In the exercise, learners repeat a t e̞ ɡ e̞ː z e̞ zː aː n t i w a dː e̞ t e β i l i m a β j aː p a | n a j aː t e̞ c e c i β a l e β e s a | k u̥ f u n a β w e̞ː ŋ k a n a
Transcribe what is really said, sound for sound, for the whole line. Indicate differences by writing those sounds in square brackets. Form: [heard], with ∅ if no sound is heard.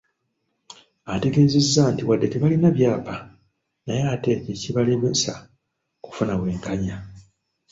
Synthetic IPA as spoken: a t e̞ ɡ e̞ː z e̞ zː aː n t i w a dː e̞ t e β [a] l i [n] a β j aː p a | n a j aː t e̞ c e c i β a l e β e s a | k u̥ f u n a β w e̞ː ŋ k a [ɲ] a